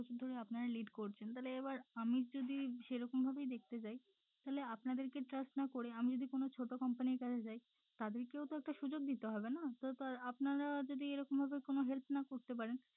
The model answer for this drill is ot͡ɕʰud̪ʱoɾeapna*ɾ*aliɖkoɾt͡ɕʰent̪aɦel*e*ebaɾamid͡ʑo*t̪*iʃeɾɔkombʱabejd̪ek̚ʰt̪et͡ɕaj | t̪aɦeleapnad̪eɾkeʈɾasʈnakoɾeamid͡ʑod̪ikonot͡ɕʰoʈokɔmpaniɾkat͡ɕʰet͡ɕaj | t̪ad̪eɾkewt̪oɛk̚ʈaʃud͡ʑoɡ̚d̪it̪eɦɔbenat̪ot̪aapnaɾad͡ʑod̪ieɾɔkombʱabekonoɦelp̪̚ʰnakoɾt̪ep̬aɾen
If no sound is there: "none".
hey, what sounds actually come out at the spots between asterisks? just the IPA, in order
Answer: ɾ, e, d̪

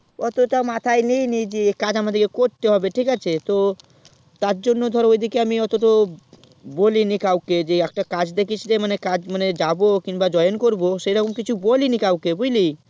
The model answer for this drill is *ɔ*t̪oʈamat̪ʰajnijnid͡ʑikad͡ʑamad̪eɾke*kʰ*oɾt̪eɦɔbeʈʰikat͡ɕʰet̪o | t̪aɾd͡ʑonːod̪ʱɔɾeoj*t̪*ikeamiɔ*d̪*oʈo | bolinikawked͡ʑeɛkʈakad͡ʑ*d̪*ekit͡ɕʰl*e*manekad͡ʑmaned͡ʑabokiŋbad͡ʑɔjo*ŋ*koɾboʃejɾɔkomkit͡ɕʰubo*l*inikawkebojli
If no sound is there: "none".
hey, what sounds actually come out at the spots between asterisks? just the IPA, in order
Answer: ɔ, k, d̪, t̪, d̪, e, n, l

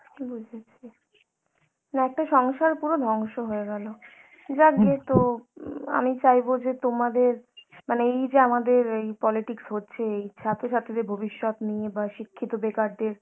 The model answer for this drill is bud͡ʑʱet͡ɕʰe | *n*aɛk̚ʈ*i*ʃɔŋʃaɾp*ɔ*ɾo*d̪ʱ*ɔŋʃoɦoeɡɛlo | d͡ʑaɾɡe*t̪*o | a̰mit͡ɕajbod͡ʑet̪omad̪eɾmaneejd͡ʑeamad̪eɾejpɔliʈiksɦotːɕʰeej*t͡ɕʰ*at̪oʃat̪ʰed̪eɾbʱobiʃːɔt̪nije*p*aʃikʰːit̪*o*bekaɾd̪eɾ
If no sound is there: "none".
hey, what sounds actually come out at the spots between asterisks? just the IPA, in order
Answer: n, a, u, d̪ʱ, t̪, t͡ɕʰ, b, o

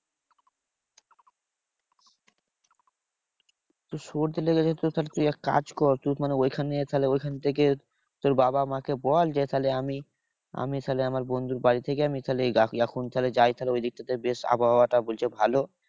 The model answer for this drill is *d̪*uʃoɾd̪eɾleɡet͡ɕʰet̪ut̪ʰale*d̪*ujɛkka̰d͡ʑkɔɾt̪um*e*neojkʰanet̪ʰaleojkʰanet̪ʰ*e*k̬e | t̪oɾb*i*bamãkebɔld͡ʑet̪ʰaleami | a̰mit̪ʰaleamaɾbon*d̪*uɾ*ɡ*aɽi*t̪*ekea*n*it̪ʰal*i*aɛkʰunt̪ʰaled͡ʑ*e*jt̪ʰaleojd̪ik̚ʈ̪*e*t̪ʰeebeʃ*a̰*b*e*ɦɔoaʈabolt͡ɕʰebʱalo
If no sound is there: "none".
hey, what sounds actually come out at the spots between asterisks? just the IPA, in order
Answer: t̪, t̪, a, e, a, d̪, b, t̪ʰ, m, e, a, a, a̰, a

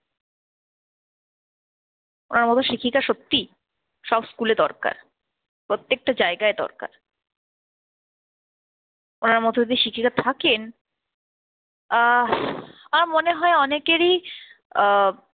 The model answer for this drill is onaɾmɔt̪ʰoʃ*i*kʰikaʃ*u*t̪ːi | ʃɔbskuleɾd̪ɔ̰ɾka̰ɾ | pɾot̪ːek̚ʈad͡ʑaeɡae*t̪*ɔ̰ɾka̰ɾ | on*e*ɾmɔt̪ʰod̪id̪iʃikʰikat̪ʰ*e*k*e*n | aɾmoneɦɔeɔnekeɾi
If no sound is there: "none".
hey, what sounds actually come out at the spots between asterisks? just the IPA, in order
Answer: i, o, d̪, a, a, e

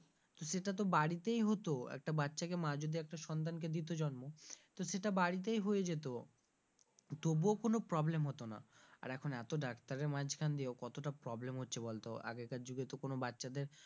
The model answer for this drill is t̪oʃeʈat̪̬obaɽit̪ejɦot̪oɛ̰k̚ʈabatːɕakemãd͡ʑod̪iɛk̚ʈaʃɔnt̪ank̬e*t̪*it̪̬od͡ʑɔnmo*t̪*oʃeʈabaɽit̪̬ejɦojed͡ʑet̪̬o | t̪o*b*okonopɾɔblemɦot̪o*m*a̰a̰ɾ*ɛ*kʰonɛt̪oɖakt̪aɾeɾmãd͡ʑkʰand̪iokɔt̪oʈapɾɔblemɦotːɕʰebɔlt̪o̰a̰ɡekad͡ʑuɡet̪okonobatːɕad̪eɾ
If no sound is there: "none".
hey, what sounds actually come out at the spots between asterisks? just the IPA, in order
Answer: d̪, t̪, b, n, ɛ

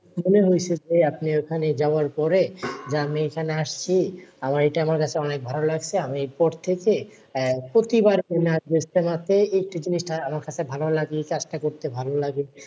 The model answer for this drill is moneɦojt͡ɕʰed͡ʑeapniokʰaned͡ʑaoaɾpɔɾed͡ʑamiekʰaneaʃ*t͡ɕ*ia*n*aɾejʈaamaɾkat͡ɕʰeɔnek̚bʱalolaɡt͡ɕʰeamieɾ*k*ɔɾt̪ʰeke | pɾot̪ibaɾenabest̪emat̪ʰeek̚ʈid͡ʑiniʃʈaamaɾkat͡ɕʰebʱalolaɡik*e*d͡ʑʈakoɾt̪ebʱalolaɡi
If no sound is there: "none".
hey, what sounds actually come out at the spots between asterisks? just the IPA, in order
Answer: t͡ɕʰ, m, p, a

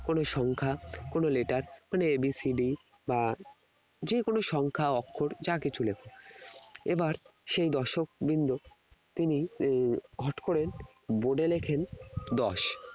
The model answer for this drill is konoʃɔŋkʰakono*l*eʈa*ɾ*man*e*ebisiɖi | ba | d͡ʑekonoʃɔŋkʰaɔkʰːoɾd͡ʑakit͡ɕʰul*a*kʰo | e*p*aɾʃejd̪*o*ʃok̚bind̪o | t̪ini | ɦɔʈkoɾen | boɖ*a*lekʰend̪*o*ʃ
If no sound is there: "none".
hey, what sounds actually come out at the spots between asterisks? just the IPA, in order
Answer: l, ɾ, e, e, b, ɔ, e, ɔ

